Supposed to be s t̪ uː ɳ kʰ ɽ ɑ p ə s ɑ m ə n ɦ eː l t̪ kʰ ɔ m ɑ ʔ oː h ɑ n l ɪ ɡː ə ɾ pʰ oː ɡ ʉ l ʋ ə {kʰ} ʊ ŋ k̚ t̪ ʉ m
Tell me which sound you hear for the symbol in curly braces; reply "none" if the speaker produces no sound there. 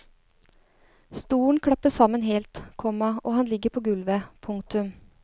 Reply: pʰ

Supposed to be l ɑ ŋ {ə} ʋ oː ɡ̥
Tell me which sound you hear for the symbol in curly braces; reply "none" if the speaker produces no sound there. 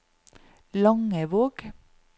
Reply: ə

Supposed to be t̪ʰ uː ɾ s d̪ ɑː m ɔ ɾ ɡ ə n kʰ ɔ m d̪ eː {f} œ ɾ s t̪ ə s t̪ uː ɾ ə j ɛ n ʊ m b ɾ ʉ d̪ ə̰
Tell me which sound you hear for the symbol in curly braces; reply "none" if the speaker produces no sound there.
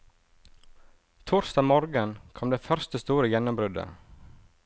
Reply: f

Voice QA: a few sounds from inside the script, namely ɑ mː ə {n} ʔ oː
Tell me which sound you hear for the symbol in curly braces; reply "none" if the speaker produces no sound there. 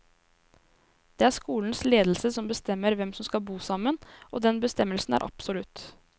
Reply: n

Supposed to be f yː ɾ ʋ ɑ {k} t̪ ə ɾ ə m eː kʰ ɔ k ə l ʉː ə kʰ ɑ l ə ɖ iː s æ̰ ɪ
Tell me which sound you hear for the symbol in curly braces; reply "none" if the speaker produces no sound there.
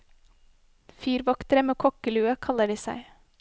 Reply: k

